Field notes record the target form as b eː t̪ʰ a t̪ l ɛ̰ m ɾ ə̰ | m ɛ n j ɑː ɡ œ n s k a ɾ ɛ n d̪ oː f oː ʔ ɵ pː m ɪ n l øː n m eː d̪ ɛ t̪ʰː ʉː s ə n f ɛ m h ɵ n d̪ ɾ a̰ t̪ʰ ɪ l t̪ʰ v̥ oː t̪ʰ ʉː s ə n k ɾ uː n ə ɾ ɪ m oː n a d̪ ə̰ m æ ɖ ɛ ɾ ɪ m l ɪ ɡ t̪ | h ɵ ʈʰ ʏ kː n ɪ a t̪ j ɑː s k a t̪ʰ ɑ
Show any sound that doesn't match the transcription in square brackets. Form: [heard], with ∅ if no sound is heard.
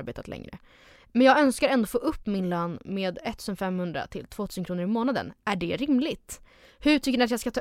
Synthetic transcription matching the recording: b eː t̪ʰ a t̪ l ɛ̰ [ŋ] ɾ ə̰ | m ɛ n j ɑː ɡ œ n s k a ɾ ɛ n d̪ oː f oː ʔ ɵ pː m ɪ n l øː n m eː d̪ ɛ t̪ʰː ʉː s ə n f ɛ m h ɵ n d̪ ɾ a̰ t̪ʰ ɪ l t̪ʰ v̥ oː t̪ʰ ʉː s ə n k ɾ uː n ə ɾ ɪ m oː n a d̪ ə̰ [n] æ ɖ ɛ ɾ ɪ m l ɪ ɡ t̪ | h ɵ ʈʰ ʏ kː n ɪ a t̪ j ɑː s k a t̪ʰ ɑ